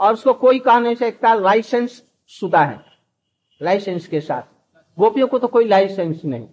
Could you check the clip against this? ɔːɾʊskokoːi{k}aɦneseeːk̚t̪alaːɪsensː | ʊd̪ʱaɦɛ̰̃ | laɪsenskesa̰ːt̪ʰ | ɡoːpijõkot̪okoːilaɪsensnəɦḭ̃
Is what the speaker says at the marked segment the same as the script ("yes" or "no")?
yes